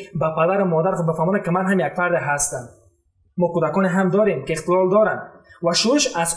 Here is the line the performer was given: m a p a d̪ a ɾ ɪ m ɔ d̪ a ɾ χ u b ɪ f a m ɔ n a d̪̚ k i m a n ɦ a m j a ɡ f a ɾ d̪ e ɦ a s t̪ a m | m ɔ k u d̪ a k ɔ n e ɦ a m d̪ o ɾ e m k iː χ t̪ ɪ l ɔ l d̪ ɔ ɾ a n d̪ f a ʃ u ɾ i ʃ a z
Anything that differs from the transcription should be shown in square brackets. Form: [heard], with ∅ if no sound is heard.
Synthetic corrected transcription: [b] a p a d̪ a ɾ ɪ m ɔ d̪ a ɾ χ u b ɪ f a m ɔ n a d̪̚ k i m a n ɦ a m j a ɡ f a ɾ d̪ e ɦ a s t̪ a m | m ɔ k u d̪ a k ɔ n e ɦ a m d̪ [ɔ] ɾ e m k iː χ t̪ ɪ l ɔ l d̪ ɔ ɾ a n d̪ [v] a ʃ u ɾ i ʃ a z